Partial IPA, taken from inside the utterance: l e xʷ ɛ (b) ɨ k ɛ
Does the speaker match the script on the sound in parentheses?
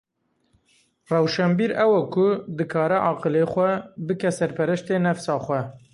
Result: yes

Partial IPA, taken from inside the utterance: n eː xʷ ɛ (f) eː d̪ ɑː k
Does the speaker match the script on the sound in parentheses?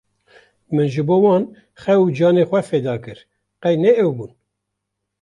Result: yes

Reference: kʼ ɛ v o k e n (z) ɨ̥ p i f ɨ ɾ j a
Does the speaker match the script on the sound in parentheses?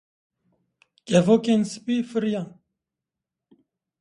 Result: no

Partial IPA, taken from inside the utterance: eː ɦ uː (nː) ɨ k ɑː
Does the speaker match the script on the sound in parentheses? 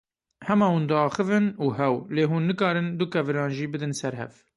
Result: yes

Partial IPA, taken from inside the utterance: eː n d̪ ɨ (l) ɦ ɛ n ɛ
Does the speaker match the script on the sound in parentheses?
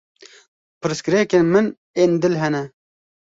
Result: yes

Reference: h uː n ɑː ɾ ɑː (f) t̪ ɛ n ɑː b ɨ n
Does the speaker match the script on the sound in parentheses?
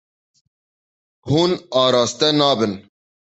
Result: no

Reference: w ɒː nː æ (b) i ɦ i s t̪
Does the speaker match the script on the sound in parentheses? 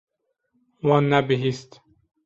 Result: yes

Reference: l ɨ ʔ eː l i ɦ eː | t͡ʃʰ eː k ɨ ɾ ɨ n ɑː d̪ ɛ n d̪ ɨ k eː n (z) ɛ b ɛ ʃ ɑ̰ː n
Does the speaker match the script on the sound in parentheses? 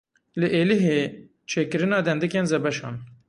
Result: yes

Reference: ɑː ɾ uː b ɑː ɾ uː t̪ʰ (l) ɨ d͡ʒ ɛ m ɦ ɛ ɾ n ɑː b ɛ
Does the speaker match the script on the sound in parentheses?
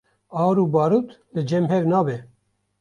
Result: yes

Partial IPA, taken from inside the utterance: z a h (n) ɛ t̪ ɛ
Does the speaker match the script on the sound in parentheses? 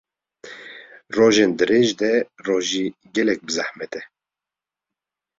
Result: no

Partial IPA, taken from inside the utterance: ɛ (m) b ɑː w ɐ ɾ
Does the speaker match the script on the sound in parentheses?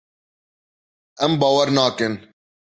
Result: yes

